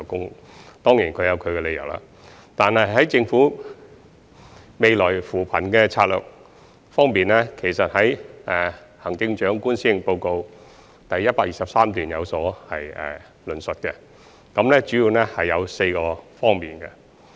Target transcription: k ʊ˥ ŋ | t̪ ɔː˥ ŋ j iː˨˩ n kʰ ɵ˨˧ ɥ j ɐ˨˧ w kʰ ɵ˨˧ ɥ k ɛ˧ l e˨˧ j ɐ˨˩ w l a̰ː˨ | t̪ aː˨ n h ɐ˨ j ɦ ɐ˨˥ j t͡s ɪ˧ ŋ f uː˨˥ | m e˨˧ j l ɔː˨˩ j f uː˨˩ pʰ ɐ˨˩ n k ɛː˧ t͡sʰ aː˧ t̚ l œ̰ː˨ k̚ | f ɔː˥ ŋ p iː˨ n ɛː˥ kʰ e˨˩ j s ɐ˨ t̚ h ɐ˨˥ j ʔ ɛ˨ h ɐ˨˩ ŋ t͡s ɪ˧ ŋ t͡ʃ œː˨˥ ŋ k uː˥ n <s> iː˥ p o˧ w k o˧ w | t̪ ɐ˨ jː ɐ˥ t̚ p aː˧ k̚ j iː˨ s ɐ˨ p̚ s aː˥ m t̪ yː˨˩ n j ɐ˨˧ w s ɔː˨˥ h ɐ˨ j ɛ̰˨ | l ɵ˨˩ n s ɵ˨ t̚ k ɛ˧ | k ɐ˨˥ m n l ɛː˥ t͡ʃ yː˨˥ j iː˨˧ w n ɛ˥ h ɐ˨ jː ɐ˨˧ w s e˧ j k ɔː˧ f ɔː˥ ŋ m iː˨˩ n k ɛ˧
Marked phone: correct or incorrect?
correct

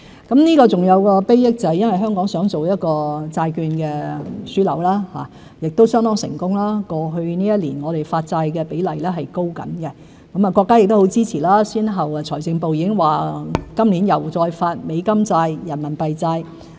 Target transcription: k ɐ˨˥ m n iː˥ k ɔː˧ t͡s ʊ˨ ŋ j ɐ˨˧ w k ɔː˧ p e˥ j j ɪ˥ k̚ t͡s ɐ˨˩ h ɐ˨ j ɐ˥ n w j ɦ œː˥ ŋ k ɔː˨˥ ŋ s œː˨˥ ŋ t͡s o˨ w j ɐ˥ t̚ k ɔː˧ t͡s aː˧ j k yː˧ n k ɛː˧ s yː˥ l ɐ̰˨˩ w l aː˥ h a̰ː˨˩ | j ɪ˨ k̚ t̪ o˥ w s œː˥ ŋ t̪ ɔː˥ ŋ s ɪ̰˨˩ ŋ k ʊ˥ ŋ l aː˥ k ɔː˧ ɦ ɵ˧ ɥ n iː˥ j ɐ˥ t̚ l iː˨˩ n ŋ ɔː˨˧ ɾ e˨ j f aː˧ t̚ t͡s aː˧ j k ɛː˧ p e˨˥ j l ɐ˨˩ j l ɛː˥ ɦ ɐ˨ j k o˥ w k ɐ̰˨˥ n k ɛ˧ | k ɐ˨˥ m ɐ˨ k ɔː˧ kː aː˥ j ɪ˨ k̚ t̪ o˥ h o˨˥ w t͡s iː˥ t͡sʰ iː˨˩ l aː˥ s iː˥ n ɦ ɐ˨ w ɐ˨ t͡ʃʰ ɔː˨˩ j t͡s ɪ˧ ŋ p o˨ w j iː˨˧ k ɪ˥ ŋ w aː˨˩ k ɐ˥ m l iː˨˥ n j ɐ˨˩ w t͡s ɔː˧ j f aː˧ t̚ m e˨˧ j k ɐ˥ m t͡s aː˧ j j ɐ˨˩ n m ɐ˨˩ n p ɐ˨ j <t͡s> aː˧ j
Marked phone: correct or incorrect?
correct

